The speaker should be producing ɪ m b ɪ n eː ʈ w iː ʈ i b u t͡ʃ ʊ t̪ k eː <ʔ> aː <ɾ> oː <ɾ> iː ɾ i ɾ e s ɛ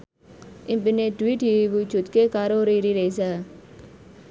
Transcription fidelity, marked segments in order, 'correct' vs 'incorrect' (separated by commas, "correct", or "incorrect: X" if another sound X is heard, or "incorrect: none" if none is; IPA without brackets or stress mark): incorrect: k, correct, correct